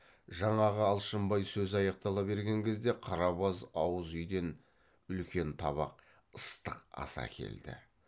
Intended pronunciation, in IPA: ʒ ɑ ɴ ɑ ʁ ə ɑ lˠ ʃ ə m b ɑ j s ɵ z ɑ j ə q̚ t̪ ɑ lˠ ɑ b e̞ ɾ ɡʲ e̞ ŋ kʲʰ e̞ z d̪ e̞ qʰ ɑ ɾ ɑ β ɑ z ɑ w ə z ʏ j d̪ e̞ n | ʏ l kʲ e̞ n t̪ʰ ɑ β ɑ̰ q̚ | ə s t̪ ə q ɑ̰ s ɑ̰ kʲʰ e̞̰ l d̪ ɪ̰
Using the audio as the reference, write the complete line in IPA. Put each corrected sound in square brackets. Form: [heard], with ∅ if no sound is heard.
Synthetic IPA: ʒ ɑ ɴ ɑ ʁ ə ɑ lˠ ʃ ə m b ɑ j s ɵ z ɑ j [ɑ] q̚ t̪ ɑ lˠ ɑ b e̞ ɾ ɡʲ e̞ ŋ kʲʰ e̞ z d̪ e̞ qʰ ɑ ɾ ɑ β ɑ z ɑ w ə z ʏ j d̪ e̞ n | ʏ l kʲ e̞ n t̪ʰ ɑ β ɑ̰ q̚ | ə s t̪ ə q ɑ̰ s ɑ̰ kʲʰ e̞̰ l d̪ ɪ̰

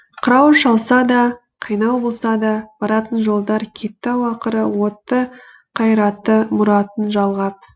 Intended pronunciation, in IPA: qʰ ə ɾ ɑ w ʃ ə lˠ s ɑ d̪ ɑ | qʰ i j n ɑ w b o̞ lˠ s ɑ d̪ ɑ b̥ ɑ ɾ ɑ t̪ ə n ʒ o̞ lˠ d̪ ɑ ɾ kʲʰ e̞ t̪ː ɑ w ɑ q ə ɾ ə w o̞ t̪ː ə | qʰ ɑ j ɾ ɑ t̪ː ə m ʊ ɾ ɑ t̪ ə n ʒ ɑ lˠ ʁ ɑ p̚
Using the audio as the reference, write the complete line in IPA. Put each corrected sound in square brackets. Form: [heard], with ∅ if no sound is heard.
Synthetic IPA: qʰ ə ɾ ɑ w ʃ [ɑ] lˠ s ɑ d̪ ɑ | qʰ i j n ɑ w b o̞ lˠ s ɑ d̪ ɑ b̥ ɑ ɾ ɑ t̪ ə n ʒ o̞ lˠ d̪ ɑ ɾ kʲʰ e̞ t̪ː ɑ w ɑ q ə ɾ ə w o̞ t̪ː ə | qʰ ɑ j ɾ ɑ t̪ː ə m ʊ ɾ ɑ t̪ ə n ʒ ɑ lˠ ʁ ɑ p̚

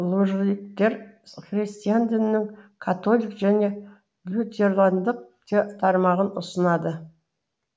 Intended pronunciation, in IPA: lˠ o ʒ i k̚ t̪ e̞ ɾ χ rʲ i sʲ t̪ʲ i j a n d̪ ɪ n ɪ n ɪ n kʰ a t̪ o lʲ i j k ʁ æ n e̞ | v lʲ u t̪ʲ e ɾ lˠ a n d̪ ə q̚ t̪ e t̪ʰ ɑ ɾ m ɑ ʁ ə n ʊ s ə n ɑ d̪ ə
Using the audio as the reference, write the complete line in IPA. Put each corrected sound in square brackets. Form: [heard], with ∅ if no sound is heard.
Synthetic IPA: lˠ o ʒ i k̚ t̪ e̞ ɾ χ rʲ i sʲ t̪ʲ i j a n d̪ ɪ n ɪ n ɪ [ŋ] kʰ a t̪ o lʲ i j k [ʒ] æ n e̞ | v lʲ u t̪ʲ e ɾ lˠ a n d̪ ə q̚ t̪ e t̪ʰ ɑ ɾ m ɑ ʁ ə n ʊ s ə n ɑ d̪ ə

